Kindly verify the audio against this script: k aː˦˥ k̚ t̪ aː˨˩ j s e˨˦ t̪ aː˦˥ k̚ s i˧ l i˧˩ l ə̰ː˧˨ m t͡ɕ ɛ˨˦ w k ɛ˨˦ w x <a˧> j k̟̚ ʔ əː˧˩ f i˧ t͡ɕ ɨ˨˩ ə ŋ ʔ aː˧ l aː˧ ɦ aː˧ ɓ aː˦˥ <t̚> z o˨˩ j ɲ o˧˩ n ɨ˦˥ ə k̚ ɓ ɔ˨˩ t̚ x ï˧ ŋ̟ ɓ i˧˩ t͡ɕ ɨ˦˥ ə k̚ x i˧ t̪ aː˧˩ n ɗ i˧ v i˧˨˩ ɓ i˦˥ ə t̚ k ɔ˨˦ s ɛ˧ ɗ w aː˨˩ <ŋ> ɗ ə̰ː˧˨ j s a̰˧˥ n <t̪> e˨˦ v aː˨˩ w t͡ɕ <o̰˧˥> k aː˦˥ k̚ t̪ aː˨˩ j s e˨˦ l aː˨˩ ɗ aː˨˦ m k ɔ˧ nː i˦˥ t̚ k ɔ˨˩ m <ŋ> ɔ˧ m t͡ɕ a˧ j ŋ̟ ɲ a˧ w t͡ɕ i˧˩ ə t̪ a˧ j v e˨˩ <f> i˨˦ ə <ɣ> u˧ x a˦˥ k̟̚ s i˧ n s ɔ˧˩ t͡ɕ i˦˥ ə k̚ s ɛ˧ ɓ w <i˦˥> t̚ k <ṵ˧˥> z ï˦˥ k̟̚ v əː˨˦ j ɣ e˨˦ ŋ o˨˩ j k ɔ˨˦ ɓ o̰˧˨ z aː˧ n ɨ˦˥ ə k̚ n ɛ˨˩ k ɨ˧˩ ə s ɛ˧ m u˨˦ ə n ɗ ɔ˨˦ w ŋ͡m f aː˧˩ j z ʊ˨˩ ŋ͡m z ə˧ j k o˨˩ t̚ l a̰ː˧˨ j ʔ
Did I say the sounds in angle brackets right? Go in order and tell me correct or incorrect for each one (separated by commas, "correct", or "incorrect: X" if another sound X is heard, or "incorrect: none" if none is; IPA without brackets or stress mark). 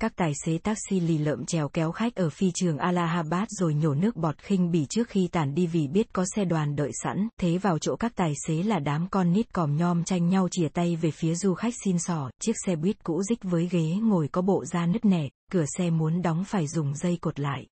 incorrect: a˦˥, correct, incorrect: n, incorrect: t̪ʰ, correct, incorrect: ɲ, correct, incorrect: z, correct, correct